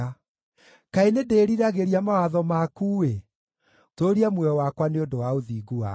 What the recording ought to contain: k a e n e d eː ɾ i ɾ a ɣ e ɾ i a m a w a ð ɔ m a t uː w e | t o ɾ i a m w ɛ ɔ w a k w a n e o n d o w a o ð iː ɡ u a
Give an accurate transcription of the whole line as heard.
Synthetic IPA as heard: k a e n e d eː ɾ i ɾ a ɣ e ɾ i a m a w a ð ɔ m a k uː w e | t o ɾ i a m w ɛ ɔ w a k w a n e o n d o w a o ð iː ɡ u a